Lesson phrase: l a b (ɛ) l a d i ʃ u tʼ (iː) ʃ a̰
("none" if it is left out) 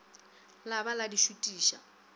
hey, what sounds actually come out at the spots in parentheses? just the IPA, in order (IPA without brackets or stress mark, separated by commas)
a, iː